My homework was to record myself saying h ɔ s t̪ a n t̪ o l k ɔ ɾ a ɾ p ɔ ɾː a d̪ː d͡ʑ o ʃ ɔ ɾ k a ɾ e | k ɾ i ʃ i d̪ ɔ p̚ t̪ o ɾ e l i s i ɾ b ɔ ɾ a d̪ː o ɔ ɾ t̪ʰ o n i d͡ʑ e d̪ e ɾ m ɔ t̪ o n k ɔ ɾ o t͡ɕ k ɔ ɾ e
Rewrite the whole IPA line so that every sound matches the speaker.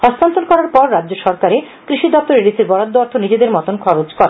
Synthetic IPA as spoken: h ɔ s t̪ a n t̪ o l k ɔ ɾ a ɾ p ɔ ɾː a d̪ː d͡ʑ o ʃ ɔ ɾ k a ɾ e | k ɾ i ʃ i d̪ ɔ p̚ t̪ o ɾ e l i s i ɾ b ɔ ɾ a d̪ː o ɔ ɾ t̪ʰ o n i d͡ʑ e d̪ e ɾ m ɔ t̪ o n kʰ ɔ ɾ o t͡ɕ k ɔ ɾ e

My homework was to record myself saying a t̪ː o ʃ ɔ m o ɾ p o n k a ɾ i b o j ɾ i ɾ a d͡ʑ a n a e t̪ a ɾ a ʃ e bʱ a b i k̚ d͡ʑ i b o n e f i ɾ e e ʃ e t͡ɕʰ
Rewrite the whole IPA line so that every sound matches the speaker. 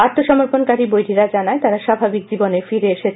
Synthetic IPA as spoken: a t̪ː o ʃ ɔ m o ɾ p o n k a ɾ i b o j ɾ i ɾ a d͡ʑ a n a e t̪ a ɾ a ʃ a bʱ a b i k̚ d͡ʑ i b o n e f i ɾ e e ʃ e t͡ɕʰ

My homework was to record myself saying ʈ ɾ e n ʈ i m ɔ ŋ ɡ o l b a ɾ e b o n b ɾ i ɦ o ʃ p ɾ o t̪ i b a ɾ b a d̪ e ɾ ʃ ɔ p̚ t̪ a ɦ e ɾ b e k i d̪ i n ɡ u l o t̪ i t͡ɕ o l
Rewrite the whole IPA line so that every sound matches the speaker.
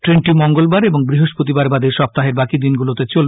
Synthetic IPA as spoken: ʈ ɾ e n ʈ i m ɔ ŋ ɡ o l b a ɾ e b o ŋ b ɾ i ɦ o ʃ p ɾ o t̪ i b a ɾ b a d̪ e ɾ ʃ ɔ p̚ t̪ a ɦ e ɾ b a k i d̪ i n ɡ u l o t̪ e t͡ɕ o l

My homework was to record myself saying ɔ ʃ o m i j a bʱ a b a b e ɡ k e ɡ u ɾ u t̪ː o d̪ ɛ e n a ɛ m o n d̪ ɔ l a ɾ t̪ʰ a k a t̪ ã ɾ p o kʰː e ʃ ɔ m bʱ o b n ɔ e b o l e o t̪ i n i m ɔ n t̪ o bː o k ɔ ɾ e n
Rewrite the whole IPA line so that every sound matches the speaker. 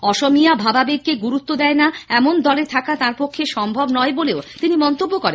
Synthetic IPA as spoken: ɔ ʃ o m i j a bʱ a b a b e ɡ k e ɡ u ɾ u t̪ː o d̪ ɛ e n a ɛ m o n d̪ ɔ l e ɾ t̪ʰ a k a t̪ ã ɾ p o kʰː e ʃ ɔ m bʱ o b n ɔ e b o l e o t̪ i n i m ɔ n t̪ o bː o k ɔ ɾ e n

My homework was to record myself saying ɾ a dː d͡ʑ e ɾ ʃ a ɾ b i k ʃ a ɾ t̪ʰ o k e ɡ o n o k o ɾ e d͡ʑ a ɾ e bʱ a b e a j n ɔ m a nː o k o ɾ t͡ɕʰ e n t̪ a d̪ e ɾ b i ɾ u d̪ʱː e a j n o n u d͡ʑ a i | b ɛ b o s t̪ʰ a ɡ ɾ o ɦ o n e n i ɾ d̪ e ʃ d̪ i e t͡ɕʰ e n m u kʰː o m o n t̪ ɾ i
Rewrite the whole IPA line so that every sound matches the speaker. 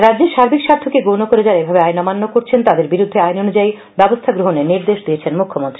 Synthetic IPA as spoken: ɾ a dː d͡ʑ e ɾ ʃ a ɾ b i k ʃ a ɾ t̪ʰ o k e ɡ o n o k o ɾ e d͡ʑ a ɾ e bʱ a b e a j n ɔ m a nː o k o ɾ t͡ɕʰ e n t̪ a d̪ e ɾ b i ɾ u d̪ʱː e a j n o n u d͡ʑ a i | b ɛ b o s t̪ʰ a ɡ ɾ o ɦ o n e n i ɾ d̪ e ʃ d̪ i e t͡ɕʰ e n m u kʰː o m o n t̪ ɾ i

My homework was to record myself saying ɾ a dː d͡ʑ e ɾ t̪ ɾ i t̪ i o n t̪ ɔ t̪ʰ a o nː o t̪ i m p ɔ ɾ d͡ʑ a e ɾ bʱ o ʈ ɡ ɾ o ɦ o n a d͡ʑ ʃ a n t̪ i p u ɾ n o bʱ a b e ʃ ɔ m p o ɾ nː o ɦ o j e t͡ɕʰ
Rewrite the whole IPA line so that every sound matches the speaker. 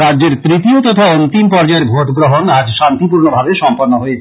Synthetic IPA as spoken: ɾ a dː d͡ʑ e ɾ t̪ ɾ i t̪ i o t̪ ɔ t̪ʰ a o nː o t̪ i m p ɔ ɾ d͡ʑ a e ɾ bʱ o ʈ ɡ ɾ o ɦ o n a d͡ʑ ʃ a n t̪ i p u ɾ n o bʱ a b e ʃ ɔ m p o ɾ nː o ɦ o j e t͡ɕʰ

